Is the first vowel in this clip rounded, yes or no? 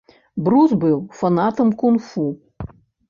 yes